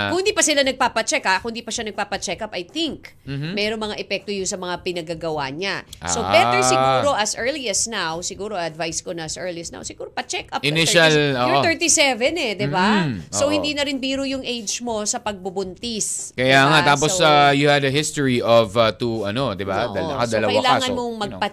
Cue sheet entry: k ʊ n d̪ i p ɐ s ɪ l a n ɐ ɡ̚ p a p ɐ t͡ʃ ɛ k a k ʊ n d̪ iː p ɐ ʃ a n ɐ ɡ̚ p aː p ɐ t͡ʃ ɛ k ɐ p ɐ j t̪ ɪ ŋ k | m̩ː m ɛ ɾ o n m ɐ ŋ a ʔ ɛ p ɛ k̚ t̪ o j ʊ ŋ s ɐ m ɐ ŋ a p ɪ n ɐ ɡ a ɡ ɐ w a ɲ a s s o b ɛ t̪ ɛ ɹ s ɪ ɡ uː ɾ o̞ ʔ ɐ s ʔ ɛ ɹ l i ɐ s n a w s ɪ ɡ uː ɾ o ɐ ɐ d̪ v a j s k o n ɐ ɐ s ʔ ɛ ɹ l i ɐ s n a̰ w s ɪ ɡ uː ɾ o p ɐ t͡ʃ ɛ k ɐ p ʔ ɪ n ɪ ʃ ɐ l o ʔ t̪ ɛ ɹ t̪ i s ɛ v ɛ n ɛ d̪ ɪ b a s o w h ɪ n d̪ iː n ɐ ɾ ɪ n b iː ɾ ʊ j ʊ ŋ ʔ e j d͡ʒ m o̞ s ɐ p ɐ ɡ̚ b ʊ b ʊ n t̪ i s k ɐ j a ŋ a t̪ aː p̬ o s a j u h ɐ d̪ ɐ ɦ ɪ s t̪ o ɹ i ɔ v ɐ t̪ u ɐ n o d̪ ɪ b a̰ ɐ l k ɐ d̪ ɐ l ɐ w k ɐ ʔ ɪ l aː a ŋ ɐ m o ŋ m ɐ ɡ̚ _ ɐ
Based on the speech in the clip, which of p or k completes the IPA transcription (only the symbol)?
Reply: p